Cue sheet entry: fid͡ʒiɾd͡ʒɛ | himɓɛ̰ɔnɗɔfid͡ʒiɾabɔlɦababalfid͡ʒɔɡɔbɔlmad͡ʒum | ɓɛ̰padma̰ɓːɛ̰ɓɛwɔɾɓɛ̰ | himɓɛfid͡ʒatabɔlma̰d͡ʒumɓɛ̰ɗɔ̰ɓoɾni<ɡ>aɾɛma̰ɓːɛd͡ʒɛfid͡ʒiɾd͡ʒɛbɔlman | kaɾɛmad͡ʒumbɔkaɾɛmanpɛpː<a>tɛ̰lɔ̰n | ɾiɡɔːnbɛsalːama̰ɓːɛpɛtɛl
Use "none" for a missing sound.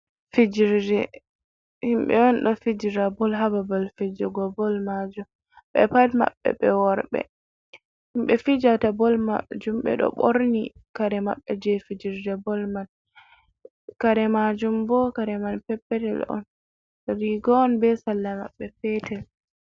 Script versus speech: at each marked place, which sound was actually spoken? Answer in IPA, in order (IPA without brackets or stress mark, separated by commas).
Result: k, ɛ